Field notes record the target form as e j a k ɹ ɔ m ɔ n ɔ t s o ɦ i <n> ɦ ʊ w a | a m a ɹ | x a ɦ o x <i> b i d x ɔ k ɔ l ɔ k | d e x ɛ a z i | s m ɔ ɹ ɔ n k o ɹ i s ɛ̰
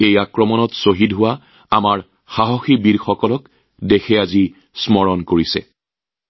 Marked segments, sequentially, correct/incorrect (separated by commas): incorrect, correct